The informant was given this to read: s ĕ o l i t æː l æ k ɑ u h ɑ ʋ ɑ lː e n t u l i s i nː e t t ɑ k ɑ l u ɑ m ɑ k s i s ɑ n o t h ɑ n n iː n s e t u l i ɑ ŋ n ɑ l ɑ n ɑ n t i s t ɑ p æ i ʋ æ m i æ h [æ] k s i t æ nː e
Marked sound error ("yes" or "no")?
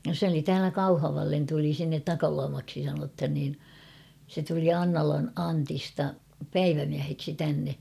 yes